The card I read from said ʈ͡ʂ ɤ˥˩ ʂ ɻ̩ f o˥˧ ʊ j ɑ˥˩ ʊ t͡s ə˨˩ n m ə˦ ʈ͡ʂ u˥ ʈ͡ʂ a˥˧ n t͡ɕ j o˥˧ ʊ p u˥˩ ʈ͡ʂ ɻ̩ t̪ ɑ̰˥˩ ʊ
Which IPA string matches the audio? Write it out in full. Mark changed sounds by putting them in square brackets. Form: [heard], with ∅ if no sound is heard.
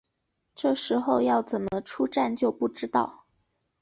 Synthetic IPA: ʈ͡ʂ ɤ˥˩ ʂ ɻ̩ [x] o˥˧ ʊ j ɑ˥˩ ʊ t͡s ə˨˩ n m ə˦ [ʈ͡ʂʰ] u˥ ʈ͡ʂ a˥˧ n t͡ɕ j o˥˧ ʊ p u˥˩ ʈ͡ʂ ɻ̩ t̪ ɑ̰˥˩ ʊ